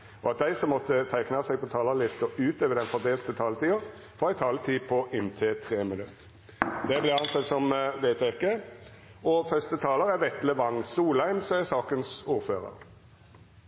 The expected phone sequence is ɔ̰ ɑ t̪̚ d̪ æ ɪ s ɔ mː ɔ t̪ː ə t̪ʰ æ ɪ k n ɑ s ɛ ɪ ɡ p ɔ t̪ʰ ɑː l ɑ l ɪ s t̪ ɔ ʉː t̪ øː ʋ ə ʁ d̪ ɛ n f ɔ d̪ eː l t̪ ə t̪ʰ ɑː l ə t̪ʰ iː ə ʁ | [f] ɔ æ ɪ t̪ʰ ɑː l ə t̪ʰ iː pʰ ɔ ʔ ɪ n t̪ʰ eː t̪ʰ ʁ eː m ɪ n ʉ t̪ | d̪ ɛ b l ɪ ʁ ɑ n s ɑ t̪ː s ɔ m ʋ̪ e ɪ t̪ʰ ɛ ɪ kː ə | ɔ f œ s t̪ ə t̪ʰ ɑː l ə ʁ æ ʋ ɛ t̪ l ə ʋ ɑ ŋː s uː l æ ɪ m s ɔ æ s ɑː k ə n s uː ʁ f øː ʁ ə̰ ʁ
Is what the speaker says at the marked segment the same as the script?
yes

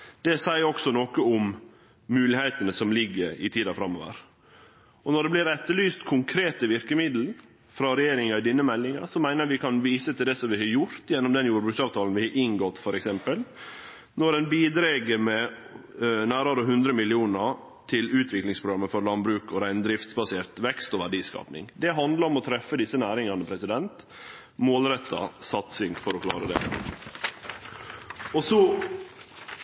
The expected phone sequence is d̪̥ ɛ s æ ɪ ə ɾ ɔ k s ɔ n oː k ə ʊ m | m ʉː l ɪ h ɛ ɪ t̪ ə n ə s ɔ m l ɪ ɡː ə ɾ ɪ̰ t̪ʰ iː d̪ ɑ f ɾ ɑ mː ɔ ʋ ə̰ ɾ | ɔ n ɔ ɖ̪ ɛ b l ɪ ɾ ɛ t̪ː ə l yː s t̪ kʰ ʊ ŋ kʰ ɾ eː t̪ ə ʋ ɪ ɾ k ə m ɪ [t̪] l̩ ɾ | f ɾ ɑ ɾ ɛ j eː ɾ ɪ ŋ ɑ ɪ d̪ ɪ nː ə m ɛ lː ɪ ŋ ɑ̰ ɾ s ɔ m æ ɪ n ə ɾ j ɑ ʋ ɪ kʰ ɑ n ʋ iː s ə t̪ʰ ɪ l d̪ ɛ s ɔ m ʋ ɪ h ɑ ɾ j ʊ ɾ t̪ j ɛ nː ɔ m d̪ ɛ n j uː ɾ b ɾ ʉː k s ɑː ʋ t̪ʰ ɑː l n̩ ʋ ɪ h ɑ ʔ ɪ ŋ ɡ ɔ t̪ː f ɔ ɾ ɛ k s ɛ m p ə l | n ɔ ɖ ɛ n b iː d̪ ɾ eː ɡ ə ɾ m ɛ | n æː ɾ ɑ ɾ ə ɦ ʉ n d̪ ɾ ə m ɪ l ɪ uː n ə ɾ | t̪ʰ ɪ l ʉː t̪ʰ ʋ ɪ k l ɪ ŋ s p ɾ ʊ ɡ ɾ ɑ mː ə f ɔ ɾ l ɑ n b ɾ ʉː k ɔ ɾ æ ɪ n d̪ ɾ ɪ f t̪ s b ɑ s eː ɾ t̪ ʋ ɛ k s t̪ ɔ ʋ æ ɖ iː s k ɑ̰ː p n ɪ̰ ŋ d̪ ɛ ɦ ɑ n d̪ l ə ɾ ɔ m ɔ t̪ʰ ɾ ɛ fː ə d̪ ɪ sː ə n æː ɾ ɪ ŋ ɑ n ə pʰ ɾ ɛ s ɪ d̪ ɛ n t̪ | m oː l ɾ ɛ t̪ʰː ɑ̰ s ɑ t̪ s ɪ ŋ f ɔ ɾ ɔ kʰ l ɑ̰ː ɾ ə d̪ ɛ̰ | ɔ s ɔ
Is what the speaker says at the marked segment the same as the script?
no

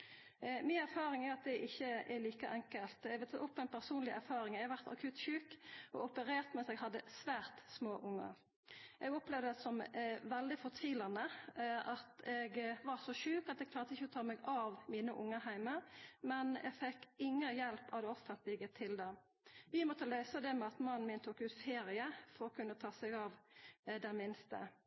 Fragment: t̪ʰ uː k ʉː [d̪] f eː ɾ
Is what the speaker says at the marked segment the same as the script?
no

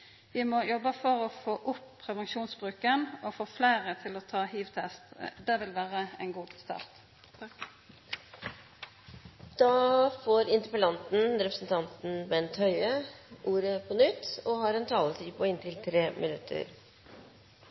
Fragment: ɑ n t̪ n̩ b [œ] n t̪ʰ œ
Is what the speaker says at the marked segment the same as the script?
no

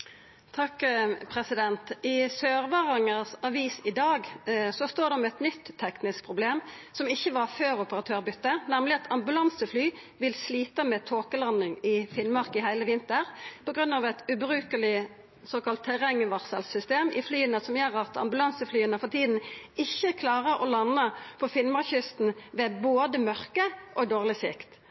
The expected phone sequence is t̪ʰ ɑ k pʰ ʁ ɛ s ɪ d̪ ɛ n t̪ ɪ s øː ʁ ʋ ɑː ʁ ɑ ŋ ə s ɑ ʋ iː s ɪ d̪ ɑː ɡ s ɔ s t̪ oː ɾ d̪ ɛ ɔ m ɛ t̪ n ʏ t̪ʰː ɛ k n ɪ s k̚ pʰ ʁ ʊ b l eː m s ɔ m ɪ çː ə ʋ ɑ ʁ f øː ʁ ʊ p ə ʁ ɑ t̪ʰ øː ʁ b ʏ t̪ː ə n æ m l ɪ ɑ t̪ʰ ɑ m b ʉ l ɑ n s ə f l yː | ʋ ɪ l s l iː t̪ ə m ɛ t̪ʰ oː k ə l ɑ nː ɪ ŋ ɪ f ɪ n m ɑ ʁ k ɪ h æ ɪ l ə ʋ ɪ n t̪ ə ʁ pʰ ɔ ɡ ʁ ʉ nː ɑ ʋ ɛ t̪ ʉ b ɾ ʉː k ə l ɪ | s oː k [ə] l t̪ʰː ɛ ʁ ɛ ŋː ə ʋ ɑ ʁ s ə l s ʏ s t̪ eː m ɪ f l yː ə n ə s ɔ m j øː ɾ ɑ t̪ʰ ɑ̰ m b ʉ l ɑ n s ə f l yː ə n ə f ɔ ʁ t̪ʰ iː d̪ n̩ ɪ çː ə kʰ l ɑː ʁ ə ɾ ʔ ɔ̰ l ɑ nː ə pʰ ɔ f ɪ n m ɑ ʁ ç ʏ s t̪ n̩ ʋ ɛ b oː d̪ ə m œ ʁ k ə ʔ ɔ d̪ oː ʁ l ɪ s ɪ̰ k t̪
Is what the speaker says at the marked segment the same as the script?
no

